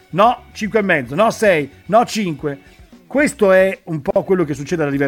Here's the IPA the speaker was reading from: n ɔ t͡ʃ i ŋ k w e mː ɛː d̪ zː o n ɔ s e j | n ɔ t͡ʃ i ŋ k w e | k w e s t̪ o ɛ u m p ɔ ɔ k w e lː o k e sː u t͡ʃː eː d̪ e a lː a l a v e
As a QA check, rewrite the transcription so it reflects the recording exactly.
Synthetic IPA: n ɔ t͡ʃ i ŋ k w e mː ɛ d̪ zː o n ɔ s ɛ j | n ɔ t͡ʃ i ŋ k w e | k w e s t̪ o ɛ u m p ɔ ɔ k w e lː o k e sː u t͡ʃː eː d̪ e a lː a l i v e